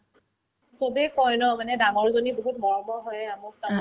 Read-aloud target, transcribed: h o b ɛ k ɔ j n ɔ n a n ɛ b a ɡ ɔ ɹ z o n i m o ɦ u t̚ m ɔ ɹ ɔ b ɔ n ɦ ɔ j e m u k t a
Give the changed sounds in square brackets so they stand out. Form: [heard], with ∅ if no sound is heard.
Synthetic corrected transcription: [s] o b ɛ k ɔ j n ɔ [m] a n ɛ [d] a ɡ ɔ ɹ z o n i [b] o ɦ u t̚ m ɔ ɹ ɔ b ɔ [∅] ɦ ɔ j [a] m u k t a

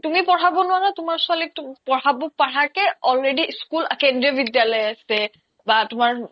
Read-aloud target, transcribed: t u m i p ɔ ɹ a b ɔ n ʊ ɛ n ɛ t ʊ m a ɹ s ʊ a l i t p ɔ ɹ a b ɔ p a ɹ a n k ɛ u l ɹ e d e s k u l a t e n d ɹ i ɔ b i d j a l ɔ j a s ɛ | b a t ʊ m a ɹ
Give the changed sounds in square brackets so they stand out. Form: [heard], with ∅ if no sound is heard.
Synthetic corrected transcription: t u m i p ɔ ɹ a b ɔ n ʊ [a] n [a] t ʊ m a ɹ s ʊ a l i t p ɔ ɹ a b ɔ p a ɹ a [∅] k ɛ [ɔ] l ɹ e d [i] s k u l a [k] e n d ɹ i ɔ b i d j a l ɔ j a s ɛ | b a t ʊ m a ɹ

